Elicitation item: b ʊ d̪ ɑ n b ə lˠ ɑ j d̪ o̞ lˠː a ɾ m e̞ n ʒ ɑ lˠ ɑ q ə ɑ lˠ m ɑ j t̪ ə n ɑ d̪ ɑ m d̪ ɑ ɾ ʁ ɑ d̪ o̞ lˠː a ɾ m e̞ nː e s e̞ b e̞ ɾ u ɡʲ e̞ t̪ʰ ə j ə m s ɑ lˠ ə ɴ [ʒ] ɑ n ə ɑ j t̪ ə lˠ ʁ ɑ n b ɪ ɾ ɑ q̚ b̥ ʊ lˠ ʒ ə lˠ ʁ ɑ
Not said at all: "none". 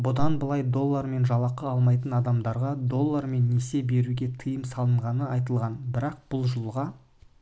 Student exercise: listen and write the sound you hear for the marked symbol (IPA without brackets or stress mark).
ʁ